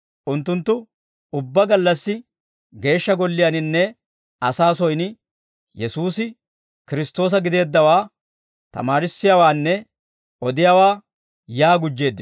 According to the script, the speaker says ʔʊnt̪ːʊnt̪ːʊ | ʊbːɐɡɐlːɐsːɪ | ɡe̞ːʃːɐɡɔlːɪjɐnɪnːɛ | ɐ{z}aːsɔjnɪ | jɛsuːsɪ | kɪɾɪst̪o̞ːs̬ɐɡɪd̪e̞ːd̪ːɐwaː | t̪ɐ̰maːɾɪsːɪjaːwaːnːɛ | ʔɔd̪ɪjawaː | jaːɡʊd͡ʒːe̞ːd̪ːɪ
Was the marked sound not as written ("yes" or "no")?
yes